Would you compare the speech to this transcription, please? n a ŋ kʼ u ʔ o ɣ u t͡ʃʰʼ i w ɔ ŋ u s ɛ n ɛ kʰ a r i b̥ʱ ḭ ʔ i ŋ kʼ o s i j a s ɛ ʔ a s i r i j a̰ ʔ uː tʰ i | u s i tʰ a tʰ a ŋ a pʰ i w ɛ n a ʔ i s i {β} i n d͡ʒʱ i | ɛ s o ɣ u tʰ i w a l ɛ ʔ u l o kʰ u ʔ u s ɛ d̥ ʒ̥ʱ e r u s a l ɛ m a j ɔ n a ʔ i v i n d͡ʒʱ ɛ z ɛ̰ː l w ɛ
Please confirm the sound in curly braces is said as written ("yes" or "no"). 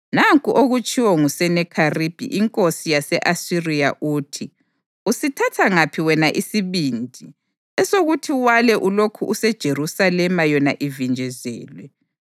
yes